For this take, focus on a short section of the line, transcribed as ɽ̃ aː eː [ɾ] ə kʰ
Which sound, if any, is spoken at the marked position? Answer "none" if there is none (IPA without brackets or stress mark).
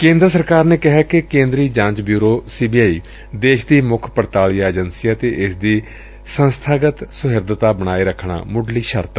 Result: ɾ